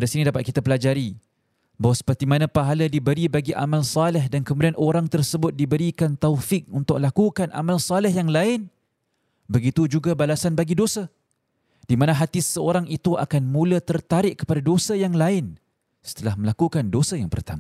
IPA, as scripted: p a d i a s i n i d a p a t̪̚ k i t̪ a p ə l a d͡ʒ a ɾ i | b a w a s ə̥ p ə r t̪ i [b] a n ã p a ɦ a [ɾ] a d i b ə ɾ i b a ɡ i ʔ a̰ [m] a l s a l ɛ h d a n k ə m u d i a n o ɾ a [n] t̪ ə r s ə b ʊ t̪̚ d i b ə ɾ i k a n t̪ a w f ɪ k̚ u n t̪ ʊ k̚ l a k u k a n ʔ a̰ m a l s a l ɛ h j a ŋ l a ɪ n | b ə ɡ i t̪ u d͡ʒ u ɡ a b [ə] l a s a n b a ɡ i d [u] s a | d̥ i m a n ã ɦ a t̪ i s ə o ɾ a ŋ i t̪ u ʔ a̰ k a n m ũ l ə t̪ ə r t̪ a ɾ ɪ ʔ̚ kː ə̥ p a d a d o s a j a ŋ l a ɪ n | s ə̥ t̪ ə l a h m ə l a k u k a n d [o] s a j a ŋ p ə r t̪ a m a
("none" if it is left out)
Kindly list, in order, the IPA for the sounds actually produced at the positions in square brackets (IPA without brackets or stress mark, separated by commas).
m, l, m, ŋ, a, o, o